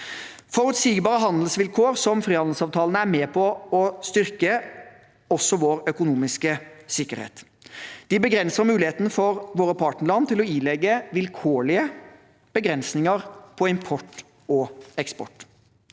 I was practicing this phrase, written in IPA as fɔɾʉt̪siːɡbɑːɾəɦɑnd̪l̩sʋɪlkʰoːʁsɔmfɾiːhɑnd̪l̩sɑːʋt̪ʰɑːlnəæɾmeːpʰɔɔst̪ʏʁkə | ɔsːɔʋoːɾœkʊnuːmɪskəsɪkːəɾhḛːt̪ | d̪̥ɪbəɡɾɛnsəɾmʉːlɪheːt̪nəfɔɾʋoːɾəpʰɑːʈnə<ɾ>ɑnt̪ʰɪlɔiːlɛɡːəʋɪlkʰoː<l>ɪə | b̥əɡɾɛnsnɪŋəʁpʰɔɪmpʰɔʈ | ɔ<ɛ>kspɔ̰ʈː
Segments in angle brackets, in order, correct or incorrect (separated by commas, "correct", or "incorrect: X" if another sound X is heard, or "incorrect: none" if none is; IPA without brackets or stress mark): incorrect: ɭ, incorrect: ɭ, correct